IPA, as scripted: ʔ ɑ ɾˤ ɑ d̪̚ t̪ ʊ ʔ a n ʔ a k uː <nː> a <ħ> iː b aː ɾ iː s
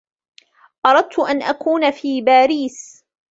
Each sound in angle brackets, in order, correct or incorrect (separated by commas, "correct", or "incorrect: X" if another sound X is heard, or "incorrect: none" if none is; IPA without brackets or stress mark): incorrect: n, incorrect: f